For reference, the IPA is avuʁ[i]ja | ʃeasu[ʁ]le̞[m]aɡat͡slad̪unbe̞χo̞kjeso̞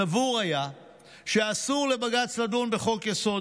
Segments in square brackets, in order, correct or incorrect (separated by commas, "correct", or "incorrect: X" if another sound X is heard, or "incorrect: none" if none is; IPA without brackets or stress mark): incorrect: a, correct, incorrect: b